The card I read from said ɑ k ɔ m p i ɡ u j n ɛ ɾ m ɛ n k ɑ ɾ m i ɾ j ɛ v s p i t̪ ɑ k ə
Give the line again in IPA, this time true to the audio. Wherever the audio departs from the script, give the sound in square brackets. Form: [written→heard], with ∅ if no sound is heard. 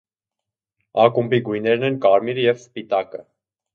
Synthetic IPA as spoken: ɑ k [ɔ→u] m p i ɡ u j n ɛ ɾ [m→n] ɛ n k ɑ ɾ m i ɾ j ɛ v s p i t̪ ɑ k ə